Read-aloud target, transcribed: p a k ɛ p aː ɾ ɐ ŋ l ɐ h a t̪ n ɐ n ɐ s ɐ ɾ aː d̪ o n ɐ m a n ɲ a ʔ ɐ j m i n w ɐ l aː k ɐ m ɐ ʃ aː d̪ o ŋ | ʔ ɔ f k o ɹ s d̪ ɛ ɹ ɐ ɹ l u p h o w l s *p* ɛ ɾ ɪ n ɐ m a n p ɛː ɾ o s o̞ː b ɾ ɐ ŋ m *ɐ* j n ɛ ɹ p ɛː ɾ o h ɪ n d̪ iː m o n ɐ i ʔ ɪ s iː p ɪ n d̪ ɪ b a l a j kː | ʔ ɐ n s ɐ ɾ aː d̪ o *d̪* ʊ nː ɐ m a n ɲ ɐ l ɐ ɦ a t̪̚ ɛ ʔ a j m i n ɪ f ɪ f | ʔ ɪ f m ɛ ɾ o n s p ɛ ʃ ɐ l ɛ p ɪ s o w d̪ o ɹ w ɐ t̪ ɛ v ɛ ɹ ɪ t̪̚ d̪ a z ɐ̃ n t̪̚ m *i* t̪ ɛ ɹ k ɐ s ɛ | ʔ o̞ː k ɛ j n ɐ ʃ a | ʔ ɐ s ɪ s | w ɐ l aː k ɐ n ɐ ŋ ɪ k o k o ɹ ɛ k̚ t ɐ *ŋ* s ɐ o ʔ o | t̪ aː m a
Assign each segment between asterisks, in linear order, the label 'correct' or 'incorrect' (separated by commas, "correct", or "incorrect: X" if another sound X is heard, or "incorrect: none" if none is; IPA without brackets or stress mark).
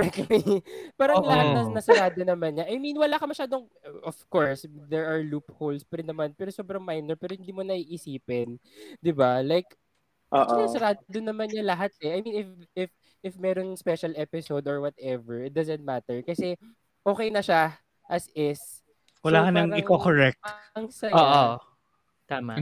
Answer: correct, incorrect: a, correct, incorrect: a, correct